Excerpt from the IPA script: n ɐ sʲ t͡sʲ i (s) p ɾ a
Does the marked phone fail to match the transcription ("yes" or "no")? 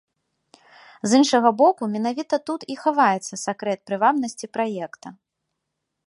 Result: yes